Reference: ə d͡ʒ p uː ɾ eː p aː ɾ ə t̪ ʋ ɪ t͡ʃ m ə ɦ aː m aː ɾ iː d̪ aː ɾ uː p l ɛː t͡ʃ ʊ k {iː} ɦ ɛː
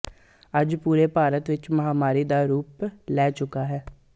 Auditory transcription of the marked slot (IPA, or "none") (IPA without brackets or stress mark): aː